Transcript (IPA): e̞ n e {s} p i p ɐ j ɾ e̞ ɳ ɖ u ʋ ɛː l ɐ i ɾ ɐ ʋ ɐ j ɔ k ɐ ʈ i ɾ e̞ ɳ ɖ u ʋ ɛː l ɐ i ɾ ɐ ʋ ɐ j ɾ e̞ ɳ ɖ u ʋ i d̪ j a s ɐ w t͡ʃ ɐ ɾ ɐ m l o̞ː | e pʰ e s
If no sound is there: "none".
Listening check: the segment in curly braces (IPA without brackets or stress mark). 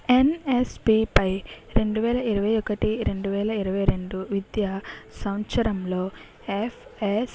s